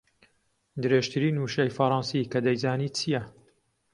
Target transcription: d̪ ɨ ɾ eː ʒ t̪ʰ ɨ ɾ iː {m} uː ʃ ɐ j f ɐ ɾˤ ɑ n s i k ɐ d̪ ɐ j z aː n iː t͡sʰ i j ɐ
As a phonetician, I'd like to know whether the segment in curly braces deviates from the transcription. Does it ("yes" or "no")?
yes